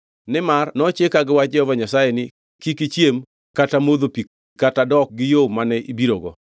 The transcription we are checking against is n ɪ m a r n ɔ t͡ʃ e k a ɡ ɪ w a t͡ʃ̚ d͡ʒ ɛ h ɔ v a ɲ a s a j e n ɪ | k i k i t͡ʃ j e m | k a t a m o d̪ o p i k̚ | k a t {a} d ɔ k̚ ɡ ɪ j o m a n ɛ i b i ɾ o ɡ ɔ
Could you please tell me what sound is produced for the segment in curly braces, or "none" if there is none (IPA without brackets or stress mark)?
a